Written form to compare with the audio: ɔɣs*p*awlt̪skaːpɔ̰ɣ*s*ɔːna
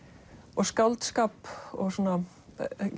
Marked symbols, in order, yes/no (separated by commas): no, yes